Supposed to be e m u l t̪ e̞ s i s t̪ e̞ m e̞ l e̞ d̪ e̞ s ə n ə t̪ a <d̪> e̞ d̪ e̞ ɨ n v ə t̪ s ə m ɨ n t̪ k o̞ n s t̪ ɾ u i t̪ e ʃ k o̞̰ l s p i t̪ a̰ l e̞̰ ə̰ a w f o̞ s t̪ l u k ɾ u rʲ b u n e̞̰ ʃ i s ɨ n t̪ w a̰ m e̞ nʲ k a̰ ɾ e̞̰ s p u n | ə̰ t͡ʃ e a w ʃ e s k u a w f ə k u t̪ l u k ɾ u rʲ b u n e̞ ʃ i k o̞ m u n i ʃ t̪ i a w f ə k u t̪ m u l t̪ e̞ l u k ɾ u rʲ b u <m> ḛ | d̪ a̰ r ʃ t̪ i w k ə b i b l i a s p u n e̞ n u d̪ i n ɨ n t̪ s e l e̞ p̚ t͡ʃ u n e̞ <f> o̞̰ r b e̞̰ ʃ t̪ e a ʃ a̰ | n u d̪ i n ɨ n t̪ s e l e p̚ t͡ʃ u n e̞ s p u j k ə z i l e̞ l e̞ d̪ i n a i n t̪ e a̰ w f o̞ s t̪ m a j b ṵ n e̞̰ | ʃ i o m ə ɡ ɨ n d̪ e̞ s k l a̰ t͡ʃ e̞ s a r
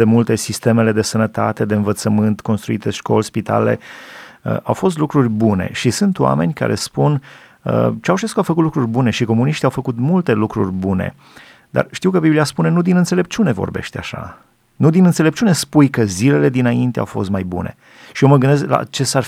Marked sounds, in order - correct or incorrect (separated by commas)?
incorrect, incorrect, incorrect